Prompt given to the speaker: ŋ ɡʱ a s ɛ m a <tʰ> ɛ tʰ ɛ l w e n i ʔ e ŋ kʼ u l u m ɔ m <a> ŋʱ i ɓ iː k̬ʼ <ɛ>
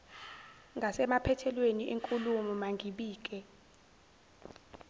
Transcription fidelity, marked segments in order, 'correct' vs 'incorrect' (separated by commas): incorrect, correct, correct